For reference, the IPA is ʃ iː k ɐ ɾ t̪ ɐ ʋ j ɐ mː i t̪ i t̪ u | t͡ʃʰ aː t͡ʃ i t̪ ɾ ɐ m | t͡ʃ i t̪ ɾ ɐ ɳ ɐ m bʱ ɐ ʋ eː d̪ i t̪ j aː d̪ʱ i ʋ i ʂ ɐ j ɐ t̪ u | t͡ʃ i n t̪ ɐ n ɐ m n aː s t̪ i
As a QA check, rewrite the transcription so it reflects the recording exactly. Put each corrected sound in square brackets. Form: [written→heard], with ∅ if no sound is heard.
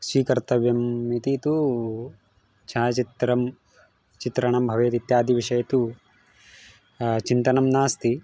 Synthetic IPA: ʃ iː k ɐ ɾ t̪ ɐ ʋ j ɐ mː i t̪ i t̪ u | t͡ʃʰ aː t͡ʃ i t̪ ɾ ɐ m | t͡ʃ i t̪ ɾ ɐ ɳ ɐ m bʱ ɐ ʋ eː [d̪→t̪] i t̪ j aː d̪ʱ i ʋ i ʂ ɐ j ɐ t̪ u | t͡ʃ i n t̪ ɐ n ɐ m n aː s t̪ i